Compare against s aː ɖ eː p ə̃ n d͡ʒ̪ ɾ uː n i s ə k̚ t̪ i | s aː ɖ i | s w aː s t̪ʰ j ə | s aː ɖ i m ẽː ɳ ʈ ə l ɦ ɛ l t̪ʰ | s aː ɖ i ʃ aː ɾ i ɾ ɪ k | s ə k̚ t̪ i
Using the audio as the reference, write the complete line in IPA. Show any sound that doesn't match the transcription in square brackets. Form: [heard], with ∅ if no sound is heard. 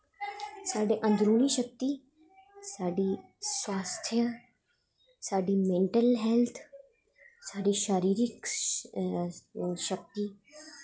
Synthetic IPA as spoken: s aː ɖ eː [ʔ] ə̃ n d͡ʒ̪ ɾ uː n i [ʃ] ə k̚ t̪ i | s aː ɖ i | s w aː s t̪ʰ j ə | s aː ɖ i m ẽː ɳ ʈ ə l ɦ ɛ l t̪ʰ | s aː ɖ i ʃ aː ɾ [iː] ɾ ɪ k | [ʃ] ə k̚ t̪ i